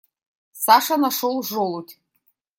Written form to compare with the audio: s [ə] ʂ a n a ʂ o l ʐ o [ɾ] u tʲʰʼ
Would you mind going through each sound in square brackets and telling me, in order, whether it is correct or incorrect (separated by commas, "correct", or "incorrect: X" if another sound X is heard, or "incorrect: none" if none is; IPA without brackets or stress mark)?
incorrect: a, incorrect: l